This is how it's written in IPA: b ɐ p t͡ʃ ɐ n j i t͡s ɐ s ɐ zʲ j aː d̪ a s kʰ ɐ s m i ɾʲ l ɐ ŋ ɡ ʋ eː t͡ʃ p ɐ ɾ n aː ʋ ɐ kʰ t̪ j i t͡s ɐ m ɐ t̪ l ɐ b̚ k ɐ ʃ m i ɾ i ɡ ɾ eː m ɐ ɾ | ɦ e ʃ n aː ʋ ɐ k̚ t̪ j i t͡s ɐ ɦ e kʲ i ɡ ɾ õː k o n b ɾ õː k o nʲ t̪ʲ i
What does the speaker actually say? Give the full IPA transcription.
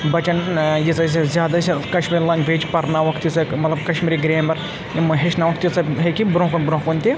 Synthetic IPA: b ɐ t͡ʃ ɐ n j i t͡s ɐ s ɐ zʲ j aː d̪ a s k ɐ ʃ m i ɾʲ l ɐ ŋ ɡ ʋ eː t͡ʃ p ɐ ɾ n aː ʋ ɐ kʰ t̪ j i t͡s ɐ m ɐ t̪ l ɐ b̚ k ɐ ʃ m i ɾ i ɡ ɾ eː m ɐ ɾ | ɦ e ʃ n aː ʋ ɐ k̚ t̪ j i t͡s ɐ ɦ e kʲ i b ɾ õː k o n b ɾ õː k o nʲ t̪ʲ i

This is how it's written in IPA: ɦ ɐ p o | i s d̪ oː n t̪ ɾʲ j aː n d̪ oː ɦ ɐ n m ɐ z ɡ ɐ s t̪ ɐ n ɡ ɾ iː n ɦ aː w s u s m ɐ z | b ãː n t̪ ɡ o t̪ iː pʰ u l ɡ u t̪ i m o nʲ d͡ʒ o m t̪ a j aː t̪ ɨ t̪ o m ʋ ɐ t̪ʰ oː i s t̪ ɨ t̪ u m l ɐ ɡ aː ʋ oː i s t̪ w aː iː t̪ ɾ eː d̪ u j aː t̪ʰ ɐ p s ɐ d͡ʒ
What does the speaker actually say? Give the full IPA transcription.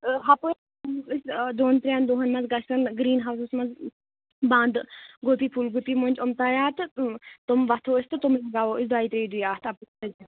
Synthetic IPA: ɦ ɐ p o | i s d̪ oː n t̪ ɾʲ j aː n d̪ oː ɦ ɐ n m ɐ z ɡ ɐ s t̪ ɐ n ɡ ɾ iː n ɦ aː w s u s m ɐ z | b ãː n d̪ ɡ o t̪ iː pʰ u l ɡ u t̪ i m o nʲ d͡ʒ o m t̪ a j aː t̪ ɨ t̪ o m ʋ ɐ t̪ʰ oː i s t̪ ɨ t̪ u m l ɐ ɡ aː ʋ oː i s d̪ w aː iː t̪ ɾ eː d̪ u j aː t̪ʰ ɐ p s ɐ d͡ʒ

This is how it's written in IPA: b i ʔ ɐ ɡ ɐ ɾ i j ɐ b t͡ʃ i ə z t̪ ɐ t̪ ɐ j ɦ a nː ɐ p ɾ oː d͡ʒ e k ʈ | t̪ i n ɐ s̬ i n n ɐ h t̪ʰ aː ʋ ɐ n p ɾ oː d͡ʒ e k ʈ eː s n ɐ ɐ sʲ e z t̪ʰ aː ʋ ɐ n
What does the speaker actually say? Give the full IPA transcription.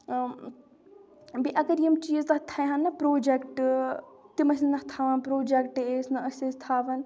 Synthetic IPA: b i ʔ ɐ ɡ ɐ ɾ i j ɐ m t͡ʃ i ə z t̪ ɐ t̪ʰ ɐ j ɦ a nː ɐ p ɾ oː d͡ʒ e k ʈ | t̪ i m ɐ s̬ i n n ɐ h t̪ʰ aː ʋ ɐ n p ɾ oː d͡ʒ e k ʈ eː s n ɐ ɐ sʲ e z t̪ʰ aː ʋ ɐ n

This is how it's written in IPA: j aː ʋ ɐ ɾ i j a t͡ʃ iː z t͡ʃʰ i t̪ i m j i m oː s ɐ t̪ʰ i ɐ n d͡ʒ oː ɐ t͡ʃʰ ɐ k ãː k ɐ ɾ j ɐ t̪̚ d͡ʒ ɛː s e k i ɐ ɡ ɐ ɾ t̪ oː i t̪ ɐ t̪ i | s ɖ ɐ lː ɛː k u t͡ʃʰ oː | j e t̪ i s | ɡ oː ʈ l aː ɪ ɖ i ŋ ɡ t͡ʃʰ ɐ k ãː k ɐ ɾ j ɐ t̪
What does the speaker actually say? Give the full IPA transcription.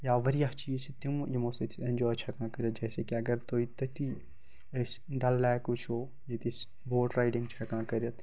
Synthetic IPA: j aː ʋ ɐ ɾ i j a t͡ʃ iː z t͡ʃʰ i t̪ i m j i m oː s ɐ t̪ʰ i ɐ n d͡ʒ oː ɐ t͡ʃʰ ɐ k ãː k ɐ ɾ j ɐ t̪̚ d͡ʒ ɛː s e k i ɐ ɡ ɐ ɾ t̪ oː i t̪ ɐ t̪ i | s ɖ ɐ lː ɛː k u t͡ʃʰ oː | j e t̪ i s | b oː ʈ ɾ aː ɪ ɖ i ŋ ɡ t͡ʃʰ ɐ k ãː k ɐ ɾ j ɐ t̪

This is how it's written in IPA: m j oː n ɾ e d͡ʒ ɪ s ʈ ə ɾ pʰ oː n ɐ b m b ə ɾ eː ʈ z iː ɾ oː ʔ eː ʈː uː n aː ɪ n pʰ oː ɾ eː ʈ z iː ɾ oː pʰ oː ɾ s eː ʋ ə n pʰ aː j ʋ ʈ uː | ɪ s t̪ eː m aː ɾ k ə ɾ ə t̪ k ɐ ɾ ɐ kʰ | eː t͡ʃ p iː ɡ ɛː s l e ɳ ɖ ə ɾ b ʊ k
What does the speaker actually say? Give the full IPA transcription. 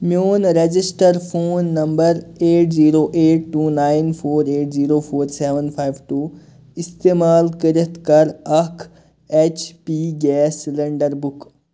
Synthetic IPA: m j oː n ɾ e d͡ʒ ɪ s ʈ ə ɾ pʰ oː nː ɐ m b ə ɾ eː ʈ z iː ɾ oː ʔ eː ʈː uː n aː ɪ n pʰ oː ɾ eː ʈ z iː ɾ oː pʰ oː ɾ s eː ʋ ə n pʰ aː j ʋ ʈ uː | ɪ s t̪ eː m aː l k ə ɾ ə t̪ k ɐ ɾ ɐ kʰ | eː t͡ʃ p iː ɡ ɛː s l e ɳ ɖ ə ɾ b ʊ k

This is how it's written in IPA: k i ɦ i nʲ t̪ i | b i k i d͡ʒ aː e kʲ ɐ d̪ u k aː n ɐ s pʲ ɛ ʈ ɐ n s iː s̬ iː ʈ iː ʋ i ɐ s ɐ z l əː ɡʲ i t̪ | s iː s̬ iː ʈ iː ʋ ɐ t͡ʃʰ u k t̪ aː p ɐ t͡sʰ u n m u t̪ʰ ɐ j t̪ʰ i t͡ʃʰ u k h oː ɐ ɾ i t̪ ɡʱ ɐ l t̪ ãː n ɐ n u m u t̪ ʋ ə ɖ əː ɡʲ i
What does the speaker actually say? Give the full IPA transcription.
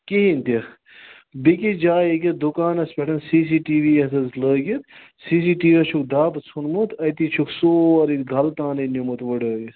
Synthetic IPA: k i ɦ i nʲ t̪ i | b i k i d͡ʒ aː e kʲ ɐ d̪ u k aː n ɐ s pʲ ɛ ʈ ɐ n s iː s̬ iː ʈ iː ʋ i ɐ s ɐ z l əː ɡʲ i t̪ | s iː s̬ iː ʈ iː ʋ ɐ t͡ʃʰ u k d̪ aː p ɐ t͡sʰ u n m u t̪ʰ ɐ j t̪ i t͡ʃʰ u k s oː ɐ ɾ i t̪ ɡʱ ɐ l t̪ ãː n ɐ n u m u t̪ ʋ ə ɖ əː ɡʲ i

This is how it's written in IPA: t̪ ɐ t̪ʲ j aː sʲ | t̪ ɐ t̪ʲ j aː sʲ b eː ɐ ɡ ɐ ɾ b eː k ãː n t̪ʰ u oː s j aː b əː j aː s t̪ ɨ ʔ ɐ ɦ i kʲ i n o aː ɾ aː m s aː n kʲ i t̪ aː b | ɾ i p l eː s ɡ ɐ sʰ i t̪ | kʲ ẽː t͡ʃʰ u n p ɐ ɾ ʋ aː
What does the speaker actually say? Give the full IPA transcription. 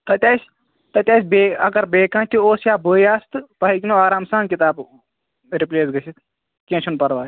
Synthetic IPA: t̪ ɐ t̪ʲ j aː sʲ | t̪ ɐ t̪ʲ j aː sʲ b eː ɐ ɡ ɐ ɾ b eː k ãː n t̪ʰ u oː s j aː b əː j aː s t̪ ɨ p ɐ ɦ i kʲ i n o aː ɾ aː m s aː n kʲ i t̪ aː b | ɾ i p l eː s ɡ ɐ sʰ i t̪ | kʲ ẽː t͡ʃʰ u n p ɐ ɾ ʋ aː

